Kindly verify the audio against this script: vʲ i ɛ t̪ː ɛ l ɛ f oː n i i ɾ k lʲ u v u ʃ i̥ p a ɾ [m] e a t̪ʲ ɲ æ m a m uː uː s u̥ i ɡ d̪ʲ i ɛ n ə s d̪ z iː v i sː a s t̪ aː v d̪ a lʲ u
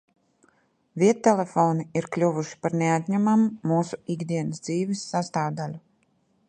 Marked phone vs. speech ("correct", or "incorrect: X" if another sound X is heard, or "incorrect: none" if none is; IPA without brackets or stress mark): incorrect: n